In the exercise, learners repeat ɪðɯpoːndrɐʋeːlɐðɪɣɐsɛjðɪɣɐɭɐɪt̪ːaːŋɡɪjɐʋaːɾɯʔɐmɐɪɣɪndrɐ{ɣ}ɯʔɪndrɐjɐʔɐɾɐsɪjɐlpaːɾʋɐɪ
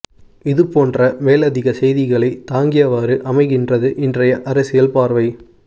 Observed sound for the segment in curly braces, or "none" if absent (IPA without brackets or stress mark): ð